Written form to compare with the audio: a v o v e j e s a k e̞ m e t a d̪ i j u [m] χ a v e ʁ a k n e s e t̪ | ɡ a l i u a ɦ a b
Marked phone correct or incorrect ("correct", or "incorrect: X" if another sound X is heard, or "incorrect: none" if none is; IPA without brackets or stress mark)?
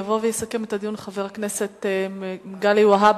incorrect: n